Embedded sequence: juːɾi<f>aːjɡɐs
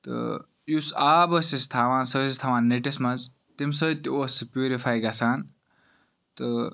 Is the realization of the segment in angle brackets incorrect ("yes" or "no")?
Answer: no